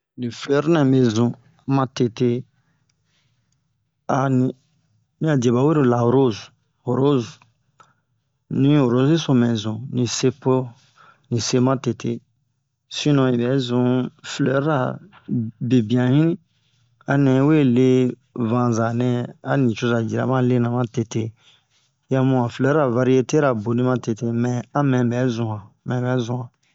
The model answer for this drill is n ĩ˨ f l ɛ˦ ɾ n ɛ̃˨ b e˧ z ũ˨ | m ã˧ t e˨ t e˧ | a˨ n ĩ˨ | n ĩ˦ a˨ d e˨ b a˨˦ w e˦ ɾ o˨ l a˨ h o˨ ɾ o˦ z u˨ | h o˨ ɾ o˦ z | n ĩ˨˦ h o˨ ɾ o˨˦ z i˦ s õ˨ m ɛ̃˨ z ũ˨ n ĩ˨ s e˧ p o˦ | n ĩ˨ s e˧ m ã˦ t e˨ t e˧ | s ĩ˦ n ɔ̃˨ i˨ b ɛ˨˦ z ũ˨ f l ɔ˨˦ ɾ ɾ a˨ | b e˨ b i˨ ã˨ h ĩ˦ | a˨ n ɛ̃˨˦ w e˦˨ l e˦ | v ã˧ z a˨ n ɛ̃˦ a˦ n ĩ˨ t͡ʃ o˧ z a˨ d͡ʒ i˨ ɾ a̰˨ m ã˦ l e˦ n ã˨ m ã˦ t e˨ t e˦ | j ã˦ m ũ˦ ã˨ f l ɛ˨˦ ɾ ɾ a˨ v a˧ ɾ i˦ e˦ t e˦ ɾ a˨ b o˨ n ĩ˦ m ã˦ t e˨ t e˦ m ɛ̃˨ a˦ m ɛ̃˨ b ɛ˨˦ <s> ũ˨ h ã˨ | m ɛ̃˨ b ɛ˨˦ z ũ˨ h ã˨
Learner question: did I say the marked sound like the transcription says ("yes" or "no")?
no